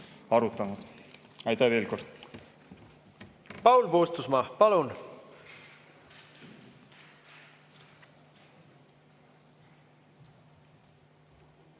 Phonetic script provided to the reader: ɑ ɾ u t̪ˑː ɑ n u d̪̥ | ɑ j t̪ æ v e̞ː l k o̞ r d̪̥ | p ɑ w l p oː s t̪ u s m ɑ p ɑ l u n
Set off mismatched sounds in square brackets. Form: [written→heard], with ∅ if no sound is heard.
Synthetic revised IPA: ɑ ɾ u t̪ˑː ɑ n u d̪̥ | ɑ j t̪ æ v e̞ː l k o̞ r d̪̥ | p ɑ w l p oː s t̪ u s m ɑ p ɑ l u n